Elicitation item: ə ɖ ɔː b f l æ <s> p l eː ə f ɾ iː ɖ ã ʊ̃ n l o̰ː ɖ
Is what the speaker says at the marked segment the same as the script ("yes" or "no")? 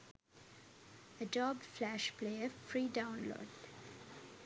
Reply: no